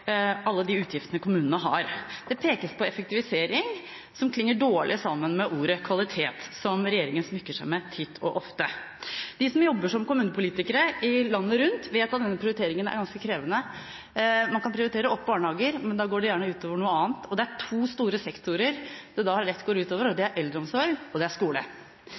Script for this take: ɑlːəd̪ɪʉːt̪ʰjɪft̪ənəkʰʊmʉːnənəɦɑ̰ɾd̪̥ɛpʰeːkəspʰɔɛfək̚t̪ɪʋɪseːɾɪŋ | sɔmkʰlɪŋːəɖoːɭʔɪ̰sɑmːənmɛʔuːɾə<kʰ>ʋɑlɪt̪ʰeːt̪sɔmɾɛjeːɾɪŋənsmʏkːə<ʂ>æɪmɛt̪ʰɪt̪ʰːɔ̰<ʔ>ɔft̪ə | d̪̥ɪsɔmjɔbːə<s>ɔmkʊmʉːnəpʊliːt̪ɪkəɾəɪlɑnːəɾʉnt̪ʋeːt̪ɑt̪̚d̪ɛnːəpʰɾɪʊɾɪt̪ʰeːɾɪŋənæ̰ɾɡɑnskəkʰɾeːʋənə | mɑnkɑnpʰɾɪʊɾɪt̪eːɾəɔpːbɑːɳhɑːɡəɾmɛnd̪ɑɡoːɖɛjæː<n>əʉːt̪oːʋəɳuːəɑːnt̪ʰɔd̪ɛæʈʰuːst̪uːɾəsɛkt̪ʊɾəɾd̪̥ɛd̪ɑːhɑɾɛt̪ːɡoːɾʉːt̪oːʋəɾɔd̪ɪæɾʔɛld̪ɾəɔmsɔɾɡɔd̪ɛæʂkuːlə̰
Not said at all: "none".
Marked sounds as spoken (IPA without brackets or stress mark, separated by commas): kʰ, ʂ, ʔ, ʂ, ɳ